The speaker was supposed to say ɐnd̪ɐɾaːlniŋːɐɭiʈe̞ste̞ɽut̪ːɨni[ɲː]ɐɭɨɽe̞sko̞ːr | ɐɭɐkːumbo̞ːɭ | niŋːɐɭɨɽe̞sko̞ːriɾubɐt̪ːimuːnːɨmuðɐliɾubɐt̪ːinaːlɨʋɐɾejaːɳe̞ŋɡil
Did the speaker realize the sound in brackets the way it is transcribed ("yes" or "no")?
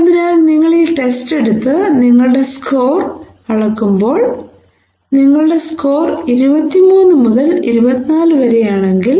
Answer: no